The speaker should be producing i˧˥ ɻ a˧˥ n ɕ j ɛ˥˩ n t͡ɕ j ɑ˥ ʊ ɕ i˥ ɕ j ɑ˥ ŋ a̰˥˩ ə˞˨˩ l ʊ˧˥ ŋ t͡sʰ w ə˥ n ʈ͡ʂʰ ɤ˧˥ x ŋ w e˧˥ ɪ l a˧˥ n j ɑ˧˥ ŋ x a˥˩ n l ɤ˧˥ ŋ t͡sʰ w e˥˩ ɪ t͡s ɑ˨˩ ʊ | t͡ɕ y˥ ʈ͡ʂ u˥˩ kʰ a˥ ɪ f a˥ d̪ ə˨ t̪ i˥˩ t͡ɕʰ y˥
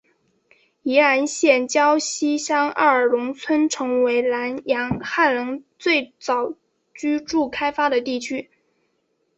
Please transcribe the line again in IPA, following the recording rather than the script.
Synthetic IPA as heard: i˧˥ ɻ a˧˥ n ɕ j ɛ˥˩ n t͡ɕ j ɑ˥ ʊ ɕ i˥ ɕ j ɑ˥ ŋ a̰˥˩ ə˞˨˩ l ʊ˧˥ ŋ t͡sʰ w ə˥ n ʈ͡ʂʰ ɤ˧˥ ŋ w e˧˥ ɪ l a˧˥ n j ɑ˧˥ ŋ x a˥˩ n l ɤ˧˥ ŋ t͡s w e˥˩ ɪ t͡s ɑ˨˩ ʊ | t͡ɕ y˥ ʈ͡ʂ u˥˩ kʰ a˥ ɪ f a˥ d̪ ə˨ t̪ i˥˩ t͡ɕʰ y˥

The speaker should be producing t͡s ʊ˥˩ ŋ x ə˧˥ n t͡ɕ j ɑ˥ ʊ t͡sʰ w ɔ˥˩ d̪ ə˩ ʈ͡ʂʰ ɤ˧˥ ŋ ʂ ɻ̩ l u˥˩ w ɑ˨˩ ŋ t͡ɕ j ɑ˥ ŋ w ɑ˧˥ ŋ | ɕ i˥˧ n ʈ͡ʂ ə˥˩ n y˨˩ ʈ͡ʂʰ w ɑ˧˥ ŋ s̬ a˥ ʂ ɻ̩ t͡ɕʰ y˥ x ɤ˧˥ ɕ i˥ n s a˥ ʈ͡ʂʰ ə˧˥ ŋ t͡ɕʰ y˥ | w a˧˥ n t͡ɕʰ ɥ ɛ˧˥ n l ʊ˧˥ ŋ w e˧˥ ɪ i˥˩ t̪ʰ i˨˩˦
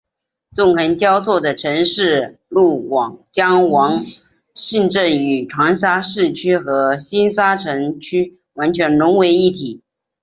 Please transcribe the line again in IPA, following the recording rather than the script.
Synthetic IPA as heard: t͡s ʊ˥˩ ŋ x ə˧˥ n t͡ɕ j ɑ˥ ʊ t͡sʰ w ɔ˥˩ d̪ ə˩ ʈ͡ʂʰ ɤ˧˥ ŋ ʂ ɻ̩ l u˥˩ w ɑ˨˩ ŋ t͡ɕ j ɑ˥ ŋ w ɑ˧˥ ŋ | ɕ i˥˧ n ʈ͡ʂ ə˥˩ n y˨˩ ʈ͡ʂʰ w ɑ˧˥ ŋ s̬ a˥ ʂ ɻ̩ t͡ɕʰ y˥ x ɤ˧˥ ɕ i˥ n s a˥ ʈ͡ʂʰ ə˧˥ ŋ t͡ɕʰ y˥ | w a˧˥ n t͡ɕʰ ɥ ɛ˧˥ n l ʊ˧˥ ŋ w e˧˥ ɪ i˥˩ t̪ʰ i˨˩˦

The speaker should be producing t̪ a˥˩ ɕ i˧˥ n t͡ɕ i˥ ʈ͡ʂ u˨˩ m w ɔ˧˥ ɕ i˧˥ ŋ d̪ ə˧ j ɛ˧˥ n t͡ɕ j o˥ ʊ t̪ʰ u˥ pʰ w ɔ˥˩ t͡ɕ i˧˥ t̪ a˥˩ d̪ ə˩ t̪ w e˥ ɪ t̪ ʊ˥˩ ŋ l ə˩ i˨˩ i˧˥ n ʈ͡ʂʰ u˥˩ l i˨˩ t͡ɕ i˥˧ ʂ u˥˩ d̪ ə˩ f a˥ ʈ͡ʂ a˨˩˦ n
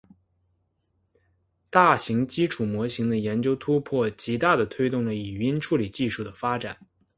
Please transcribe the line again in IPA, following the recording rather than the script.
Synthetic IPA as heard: t̪ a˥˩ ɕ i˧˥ ŋ t͡ɕ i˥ ʈ͡ʂʰ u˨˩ m w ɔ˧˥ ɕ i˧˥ ŋ d̪ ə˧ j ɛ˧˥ n t͡ɕ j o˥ ʊ t̪ʰ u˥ pʰ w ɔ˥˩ t͡ɕ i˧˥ t̪ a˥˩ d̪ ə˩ t̪ʰ w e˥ ɪ t̪ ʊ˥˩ ŋ l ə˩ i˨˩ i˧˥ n ʈ͡ʂʰ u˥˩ l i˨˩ t͡ɕ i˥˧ ʂ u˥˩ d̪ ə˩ f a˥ ʈ͡ʂ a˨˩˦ n

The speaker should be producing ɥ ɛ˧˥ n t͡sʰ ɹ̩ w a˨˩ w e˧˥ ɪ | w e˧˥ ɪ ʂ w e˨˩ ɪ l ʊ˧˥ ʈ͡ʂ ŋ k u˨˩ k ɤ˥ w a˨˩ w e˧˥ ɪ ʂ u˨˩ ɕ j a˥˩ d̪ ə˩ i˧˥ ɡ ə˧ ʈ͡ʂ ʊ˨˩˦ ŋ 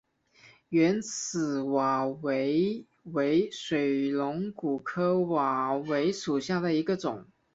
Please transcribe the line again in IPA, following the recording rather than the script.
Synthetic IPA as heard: ɥ ɛ˧˥ n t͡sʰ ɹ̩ w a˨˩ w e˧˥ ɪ | w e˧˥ ɪ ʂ w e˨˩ ɪ l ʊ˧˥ ŋ k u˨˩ kʰ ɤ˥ w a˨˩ w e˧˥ ɪ ʂ u˨˩ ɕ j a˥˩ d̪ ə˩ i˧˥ ɡ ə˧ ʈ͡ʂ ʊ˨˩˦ ŋ

